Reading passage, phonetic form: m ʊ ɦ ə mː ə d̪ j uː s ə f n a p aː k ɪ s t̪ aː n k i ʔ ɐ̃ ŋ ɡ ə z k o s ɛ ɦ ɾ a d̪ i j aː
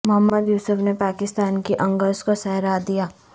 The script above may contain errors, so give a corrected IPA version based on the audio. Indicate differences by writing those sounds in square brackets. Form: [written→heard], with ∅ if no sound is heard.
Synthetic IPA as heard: m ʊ ɦ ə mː ə d̪ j uː s ə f n [a→e] p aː k ɪ s t̪ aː n k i ʔ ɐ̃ ŋ ɡ ə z k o s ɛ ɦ ɾ a d̪ i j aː